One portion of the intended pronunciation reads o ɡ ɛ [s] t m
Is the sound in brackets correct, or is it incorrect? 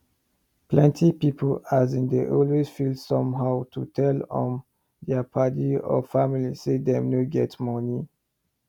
incorrect